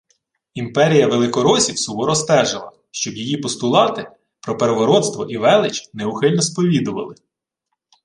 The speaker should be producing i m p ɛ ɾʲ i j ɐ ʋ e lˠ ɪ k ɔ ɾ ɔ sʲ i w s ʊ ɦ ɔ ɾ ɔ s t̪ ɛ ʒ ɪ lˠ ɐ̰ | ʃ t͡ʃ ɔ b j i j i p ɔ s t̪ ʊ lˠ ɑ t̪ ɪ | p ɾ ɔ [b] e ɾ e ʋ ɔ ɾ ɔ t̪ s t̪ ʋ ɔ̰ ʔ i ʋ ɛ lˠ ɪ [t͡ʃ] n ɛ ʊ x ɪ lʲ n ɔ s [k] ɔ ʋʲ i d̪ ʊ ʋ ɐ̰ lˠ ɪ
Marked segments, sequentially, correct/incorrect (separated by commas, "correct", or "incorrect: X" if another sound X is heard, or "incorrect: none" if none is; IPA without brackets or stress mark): incorrect: p, correct, incorrect: p